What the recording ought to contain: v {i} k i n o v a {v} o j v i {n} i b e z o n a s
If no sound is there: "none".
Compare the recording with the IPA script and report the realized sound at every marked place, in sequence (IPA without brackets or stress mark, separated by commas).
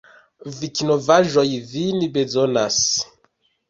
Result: i, ʒ, n